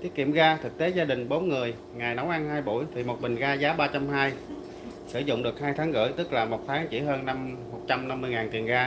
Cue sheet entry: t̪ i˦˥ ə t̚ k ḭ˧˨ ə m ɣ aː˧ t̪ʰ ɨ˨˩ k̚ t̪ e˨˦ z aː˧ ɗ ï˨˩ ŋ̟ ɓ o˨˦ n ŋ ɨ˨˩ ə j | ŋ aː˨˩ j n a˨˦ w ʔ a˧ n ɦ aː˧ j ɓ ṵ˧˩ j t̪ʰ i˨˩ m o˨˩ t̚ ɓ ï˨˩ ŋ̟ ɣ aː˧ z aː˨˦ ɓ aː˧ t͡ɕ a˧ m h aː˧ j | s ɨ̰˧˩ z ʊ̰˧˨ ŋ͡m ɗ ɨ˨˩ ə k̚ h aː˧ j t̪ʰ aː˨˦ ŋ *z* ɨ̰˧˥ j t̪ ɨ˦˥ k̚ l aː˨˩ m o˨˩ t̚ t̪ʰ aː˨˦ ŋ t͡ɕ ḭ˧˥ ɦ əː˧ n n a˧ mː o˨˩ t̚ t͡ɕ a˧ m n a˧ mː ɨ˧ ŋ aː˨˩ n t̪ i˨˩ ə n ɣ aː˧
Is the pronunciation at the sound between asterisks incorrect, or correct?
incorrect